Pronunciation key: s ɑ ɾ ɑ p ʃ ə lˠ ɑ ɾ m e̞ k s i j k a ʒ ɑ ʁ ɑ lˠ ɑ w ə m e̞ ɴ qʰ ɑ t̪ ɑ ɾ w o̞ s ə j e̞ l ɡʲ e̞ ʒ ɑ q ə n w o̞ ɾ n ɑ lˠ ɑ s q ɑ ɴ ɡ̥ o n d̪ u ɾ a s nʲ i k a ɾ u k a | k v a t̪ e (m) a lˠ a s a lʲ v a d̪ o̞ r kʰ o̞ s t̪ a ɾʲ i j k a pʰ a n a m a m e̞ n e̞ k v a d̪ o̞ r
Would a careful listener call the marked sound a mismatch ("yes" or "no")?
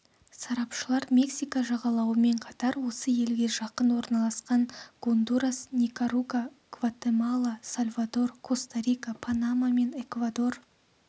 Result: no